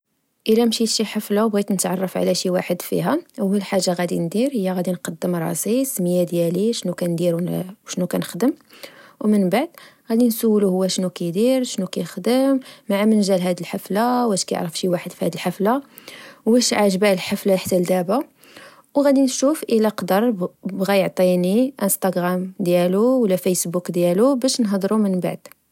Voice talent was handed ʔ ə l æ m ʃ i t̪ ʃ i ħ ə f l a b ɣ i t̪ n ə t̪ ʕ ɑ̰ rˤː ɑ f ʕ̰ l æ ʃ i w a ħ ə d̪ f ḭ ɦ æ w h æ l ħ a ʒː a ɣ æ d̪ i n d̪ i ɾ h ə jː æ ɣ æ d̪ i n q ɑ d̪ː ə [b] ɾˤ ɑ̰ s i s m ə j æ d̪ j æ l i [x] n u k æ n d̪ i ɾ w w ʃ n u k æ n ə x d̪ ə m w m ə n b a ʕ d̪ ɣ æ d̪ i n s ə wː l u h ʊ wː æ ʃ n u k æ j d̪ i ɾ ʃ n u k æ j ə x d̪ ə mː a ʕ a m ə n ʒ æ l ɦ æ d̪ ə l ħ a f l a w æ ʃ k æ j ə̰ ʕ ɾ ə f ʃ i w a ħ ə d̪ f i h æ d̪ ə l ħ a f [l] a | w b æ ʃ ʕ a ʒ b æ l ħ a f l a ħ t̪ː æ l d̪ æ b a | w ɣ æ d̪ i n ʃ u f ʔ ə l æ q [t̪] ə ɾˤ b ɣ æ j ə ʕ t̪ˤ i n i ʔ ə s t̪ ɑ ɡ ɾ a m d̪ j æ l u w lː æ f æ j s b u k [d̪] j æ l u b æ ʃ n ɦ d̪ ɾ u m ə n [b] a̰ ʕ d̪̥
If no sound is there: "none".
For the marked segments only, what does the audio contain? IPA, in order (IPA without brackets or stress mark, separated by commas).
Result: m, ʃ, l, d̪, d̪, b